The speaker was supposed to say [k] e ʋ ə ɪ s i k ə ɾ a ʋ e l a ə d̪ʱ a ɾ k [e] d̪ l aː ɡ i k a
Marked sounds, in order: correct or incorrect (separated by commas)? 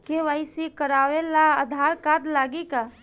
correct, incorrect